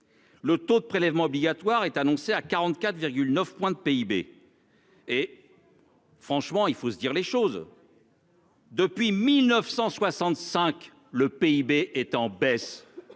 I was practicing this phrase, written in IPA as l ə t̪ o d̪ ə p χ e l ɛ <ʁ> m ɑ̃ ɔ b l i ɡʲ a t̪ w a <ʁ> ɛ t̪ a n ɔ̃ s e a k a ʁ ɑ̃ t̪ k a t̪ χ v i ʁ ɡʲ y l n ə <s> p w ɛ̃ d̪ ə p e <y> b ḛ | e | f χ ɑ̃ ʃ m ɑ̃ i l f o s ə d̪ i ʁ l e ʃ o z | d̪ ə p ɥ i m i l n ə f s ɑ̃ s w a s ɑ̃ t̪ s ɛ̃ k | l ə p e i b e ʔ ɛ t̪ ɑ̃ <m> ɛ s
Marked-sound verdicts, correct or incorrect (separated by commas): incorrect, correct, incorrect, incorrect, incorrect